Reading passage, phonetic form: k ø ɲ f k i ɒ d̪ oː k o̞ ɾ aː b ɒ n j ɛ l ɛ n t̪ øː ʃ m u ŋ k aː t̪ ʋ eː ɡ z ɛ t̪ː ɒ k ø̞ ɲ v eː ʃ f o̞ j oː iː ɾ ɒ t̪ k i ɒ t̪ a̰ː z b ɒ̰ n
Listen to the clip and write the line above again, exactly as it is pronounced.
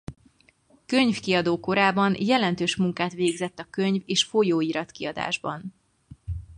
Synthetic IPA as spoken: k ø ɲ f k i ɒ d̪ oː k o̞ ɾ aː b ɒ n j ɛ l ɛ n t̪ øː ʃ m u ŋ k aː t̪ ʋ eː ɡ z ɛ t̪ː ɒ k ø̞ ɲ v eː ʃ f o̞ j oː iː ɾ ɒ t̪ k i ɒ d̪ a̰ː ʒ b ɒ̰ n